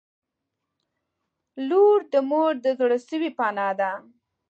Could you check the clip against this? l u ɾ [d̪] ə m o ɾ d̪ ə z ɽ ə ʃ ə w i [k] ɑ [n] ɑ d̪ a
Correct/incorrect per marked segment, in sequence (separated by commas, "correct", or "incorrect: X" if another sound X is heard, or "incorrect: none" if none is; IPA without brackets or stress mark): correct, incorrect: p, correct